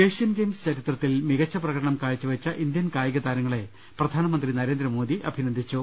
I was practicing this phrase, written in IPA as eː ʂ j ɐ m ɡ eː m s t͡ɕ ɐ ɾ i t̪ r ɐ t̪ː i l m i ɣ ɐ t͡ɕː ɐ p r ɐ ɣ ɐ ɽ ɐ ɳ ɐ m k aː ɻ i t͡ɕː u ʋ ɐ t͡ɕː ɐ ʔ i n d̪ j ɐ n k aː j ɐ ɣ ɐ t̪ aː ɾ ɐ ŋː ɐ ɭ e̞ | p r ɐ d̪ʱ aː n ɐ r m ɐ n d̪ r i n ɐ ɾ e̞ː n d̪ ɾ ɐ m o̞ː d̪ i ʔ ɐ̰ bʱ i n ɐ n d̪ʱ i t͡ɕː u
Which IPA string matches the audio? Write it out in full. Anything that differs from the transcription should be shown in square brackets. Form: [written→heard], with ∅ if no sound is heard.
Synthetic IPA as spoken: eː ʂ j ɐ [m→n] ɡ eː m s t͡ɕ ɐ ɾ i t̪ r ɐ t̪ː i l m i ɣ ɐ t͡ɕː ɐ p r ɐ ɣ ɐ ɽ ɐ ɳ ɐ m k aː ɻ i t͡ɕː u ʋ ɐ t͡ɕː ɐ ʔ i n d̪ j ɐ n k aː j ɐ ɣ ɐ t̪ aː ɾ ɐ ŋː ɐ ɭ e̞ | p r ɐ d̪ʱ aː n ɐ [r→∅] m ɐ n d̪ r i n ɐ ɾ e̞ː n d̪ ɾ ɐ m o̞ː d̪ i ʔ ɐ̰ bʱ i n ɐ n d̪ʱ i t͡ɕː u

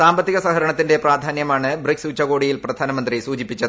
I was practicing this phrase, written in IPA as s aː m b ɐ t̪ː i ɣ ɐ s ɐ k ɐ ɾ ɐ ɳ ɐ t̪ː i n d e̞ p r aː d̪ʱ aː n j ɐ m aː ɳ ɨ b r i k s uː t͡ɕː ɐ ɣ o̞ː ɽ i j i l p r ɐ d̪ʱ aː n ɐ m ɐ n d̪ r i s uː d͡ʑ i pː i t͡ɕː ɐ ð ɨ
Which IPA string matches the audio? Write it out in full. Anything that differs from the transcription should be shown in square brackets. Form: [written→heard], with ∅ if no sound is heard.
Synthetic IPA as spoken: s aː m b ɐ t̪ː i ɣ ɐ s ɐ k ɐ ɾ ɐ ɳ ɐ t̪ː i n d e̞ p r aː d̪ʱ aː n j ɐ m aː ɳ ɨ b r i k s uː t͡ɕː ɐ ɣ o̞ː ɽ i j i l p r ɐ d̪ʱ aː n ɐ m ɐ n d̪ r i s uː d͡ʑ i pː i t͡ɕː ɐ ð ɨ

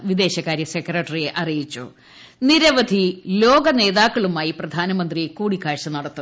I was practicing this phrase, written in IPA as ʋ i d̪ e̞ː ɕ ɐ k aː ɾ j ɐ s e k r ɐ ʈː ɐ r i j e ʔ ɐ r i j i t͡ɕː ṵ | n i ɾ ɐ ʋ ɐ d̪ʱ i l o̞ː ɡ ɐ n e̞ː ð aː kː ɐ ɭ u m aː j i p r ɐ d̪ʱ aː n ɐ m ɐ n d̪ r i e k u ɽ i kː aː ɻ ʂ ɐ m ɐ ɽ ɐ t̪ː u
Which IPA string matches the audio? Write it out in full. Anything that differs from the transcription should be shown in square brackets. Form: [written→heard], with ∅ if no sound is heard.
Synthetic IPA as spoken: ʋ i d̪ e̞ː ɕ ɐ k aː ɾ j ɐ s e k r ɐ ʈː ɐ r i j e ʔ ɐ r i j i t͡ɕː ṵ | n i ɾ ɐ ʋ ɐ d̪ʱ i l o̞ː ɡ ɐ n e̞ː ð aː kː ɐ ɭ u m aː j i p r ɐ d̪ʱ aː n ɐ m ɐ n d̪ r i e k [u→uː] ɽ i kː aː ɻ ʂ ɐ [m→n] ɐ ɽ ɐ t̪ː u

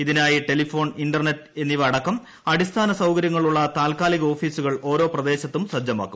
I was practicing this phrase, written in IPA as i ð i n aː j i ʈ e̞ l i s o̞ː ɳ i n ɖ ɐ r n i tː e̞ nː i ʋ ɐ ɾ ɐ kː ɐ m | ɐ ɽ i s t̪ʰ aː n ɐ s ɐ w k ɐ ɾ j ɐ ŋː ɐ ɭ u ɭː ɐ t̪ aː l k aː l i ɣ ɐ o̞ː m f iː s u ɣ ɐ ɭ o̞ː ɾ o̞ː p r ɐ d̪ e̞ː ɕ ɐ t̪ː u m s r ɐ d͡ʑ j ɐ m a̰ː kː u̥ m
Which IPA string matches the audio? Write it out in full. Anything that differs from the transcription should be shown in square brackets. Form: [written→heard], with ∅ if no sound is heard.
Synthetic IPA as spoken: i ð i n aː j i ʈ e̞ l i [s→f] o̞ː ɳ i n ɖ ɐ r n [i→e] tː e̞ nː i ʋ ɐ [ɾ→ɽ] ɐ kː ɐ m | ɐ ɽ i s t̪ʰ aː n ɐ s ɐ w k ɐ ɾ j ɐ ŋː ɐ ɭ u ɭː ɐ t̪ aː l k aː l i ɣ ɐ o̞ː [m→∅] f iː s u ɣ ɐ ɭ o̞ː ɾ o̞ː p r ɐ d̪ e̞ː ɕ ɐ t̪ː u m s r ɐ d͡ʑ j ɐ m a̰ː kː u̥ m

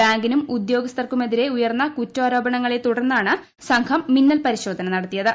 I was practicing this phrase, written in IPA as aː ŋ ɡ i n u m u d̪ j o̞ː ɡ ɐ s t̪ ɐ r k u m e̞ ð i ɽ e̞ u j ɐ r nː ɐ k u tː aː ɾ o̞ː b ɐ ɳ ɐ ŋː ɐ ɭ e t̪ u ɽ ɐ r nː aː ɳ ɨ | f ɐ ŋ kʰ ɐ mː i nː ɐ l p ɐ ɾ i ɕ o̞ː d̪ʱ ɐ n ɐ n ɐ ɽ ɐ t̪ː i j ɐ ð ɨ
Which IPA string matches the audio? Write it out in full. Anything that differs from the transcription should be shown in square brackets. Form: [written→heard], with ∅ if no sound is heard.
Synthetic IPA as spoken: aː ŋ ɡ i n u m u d̪ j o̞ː ɡ ɐ s t̪ ɐ r k u m e̞ ð i [ɽ→ɾ] e̞ u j ɐ r nː ɐ k u tː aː ɾ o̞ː b ɐ ɳ ɐ ŋː ɐ ɭ e t̪ u ɽ ɐ r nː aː ɳ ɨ | [f→s] ɐ ŋ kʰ ɐ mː i nː ɐ l p ɐ ɾ i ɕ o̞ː d̪ʱ ɐ n ɐ n ɐ ɽ ɐ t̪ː i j ɐ ð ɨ

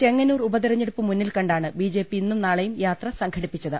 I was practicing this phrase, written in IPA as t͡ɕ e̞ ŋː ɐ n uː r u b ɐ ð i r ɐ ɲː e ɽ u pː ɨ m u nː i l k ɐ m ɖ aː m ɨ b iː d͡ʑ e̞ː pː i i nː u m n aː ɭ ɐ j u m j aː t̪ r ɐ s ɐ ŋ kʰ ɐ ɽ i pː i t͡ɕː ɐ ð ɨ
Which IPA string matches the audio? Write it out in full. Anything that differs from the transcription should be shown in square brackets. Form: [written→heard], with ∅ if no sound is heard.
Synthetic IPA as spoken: t͡ɕ e̞ ŋː ɐ n uː r u b ɐ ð i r ɐ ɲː e ɽ u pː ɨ m u nː i l k ɐ [m→ɳ] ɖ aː [m→ɳ] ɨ b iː d͡ʑ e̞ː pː i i nː u m n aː ɭ ɐ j u m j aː t̪ r ɐ s ɐ ŋ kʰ ɐ ɽ i pː i t͡ɕː ɐ ð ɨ

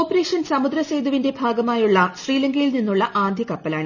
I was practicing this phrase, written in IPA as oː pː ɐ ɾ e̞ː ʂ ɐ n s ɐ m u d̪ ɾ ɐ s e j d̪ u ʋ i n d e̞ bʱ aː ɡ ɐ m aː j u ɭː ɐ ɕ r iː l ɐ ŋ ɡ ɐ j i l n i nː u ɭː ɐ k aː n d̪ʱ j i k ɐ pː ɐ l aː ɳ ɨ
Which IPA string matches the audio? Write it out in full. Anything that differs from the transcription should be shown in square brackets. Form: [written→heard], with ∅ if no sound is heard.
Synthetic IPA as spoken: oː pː ɐ ɾ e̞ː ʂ ɐ n s ɐ m u d̪ ɾ ɐ s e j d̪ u ʋ i n d e̞ bʱ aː ɡ ɐ m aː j u ɭː ɐ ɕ r iː l ɐ ŋ ɡ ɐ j i l n i nː u ɭː ɐ [k→ʔ] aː n d̪ʱ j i k ɐ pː ɐ l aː ɳ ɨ

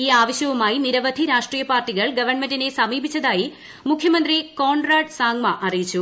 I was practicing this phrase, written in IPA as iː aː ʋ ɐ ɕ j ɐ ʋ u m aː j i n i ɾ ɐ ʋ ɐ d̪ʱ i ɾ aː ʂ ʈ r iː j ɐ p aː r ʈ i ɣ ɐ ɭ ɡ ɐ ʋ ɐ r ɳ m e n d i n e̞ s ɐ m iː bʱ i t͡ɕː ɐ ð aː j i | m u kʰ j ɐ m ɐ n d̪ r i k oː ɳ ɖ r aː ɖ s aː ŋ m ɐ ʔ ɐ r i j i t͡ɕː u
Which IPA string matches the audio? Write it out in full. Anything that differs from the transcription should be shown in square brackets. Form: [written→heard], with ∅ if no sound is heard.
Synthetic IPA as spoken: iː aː ʋ ɐ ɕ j ɐ ʋ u m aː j i n i ɾ ɐ ʋ ɐ d̪ʱ i ɾ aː ʂ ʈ r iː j ɐ p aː r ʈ i ɣ ɐ ɭ ɡ ɐ ʋ ɐ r ɳ m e n d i n e̞ s ɐ m iː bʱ i t͡ɕː ɐ ð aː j i | m u kʰ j ɐ m ɐ n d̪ r i k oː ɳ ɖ r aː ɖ s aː ŋ m ɐ ʔ ɐ r i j i t͡ɕː u

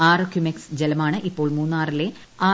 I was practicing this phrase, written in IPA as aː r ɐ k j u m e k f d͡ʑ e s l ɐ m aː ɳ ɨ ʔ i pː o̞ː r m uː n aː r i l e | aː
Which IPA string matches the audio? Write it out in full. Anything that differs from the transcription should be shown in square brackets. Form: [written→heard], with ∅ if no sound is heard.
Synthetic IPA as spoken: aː r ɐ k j u m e k [f→s] d͡ʑ e [s→∅] l ɐ m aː ɳ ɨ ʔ i pː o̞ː [r→ɭ] m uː [n→nː] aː r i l e | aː

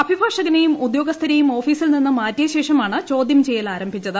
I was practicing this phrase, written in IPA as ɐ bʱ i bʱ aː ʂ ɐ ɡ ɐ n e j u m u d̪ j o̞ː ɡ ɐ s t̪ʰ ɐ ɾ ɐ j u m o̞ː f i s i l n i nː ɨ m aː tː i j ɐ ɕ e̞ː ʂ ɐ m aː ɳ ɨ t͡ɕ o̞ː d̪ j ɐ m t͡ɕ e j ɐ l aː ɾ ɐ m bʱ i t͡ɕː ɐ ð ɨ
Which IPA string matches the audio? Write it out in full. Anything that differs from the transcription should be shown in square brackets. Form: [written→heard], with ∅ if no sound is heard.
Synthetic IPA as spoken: ɐ bʱ i bʱ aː ʂ ɐ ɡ ɐ n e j u m u d̪ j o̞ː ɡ ɐ s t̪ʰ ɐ ɾ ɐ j u m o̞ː f [i→iː] s i l n i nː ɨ m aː tː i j ɐ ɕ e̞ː ʂ ɐ m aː ɳ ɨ t͡ɕ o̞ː d̪ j ɐ m t͡ɕ e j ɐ l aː ɾ ɐ m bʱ i t͡ɕː ɐ ð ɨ

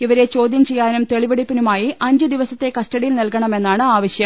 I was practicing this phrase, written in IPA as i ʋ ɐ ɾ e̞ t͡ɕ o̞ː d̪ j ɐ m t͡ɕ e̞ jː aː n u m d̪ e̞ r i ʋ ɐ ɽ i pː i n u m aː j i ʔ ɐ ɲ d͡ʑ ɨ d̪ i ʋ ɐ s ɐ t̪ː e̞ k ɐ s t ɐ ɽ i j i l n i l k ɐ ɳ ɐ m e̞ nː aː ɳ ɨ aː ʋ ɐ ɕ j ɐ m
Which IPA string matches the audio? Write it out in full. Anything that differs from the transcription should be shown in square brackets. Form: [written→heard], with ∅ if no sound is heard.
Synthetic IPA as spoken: i ʋ ɐ ɾ e̞ t͡ɕ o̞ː d̪ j ɐ m t͡ɕ e̞ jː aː n u m [d̪→t̪] e̞ [r→ɭ] i ʋ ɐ ɽ i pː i n u m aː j i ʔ ɐ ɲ d͡ʑ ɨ d̪ i ʋ ɐ s ɐ t̪ː e̞ k ɐ s t ɐ ɽ i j i l n i l k ɐ ɳ ɐ m e̞ nː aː ɳ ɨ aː ʋ ɐ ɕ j ɐ m

